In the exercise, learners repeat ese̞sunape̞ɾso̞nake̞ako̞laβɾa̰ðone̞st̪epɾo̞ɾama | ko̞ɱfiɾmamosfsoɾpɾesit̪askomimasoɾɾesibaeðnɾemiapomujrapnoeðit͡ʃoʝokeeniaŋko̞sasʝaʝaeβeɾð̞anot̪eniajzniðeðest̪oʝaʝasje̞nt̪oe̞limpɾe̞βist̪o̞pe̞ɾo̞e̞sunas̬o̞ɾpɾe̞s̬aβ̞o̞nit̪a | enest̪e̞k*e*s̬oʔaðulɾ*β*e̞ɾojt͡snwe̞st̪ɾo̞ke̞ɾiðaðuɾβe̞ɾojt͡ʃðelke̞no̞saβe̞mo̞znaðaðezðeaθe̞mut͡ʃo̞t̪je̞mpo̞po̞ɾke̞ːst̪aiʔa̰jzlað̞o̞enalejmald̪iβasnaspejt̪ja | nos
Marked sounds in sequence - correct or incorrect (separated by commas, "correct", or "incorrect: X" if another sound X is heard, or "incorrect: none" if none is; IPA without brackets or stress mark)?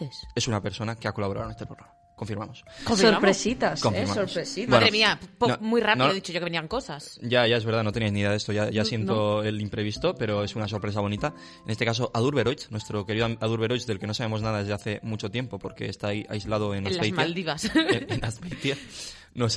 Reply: incorrect: a, correct